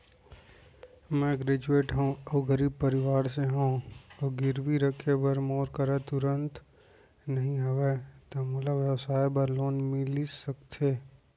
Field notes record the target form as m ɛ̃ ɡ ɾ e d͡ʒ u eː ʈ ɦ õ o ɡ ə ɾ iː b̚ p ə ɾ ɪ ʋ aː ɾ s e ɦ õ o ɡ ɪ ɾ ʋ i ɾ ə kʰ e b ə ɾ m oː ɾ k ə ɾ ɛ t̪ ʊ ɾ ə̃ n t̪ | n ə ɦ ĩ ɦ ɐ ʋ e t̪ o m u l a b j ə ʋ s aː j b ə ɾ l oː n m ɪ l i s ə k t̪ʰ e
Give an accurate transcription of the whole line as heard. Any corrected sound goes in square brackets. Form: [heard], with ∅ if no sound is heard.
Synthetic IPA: m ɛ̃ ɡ ɾ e d͡ʒ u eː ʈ ɦ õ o ɡ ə ɾ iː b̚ p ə ɾ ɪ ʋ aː ɾ s e ɦ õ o ɡ ɪ ɾ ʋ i ɾ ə kʰ e b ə ɾ m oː ɾ k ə ɾ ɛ t̪ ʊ ɾ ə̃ n t̪ | n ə ɦ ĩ ɦ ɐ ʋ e t̪ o m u l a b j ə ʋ s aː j b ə ɾ l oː n m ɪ l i s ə k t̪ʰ e